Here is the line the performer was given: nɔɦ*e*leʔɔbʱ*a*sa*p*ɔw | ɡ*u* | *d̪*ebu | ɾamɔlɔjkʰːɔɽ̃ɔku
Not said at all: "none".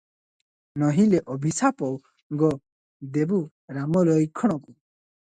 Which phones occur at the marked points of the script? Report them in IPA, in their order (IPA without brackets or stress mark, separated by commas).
i, i, p, ɔ, d̪